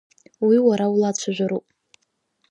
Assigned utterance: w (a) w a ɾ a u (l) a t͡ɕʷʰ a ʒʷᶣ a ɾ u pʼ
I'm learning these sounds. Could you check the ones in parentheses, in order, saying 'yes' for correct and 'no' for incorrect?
no, yes

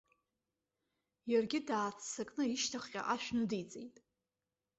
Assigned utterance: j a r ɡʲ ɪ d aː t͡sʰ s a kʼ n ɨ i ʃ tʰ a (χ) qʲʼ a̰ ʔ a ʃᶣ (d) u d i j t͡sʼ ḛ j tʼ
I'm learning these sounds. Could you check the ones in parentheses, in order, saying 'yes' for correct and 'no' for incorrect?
yes, no

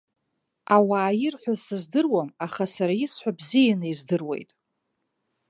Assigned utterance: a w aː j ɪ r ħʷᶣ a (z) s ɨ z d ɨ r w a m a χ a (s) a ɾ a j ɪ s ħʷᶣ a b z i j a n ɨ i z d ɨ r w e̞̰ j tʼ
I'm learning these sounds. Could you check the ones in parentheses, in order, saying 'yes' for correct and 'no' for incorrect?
yes, yes

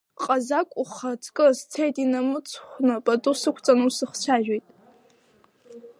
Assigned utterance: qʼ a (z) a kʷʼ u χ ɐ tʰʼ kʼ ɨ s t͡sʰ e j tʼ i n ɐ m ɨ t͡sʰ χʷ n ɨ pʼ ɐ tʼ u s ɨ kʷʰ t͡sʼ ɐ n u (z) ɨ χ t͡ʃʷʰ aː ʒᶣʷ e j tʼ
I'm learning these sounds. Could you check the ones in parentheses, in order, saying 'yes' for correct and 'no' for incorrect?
yes, no

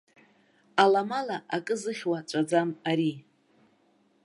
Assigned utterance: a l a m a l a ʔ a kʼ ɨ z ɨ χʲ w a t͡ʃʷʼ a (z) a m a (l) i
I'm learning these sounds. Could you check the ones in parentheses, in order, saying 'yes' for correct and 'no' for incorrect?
no, no

